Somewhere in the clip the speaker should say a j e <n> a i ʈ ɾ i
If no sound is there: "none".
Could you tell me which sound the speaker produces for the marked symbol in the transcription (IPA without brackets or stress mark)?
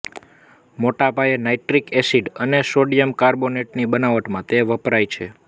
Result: n